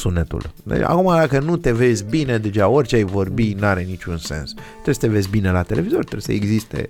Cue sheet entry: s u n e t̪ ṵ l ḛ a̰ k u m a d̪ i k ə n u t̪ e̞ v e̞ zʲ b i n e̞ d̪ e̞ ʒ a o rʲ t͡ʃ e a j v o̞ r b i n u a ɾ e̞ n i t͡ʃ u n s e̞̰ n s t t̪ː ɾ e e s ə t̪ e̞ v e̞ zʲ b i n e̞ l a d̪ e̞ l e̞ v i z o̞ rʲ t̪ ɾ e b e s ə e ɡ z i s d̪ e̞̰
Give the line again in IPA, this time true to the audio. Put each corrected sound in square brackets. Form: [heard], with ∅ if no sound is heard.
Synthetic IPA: s u n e t̪ ṵ l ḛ a̰ k u m a d̪ [a] k ə n u t̪ e̞ v e̞ zʲ b i n e̞ d̪ e̞ ʒ a o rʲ t͡ʃ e a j v o̞ r b i n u a ɾ e̞ n i t͡ʃ u n s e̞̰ n s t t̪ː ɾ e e s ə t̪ e̞ v e̞ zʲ b i n e̞ l a [t̪] e̞ l e̞ v i z o̞ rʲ t̪ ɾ e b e s ə e ɡ z i s [t̪] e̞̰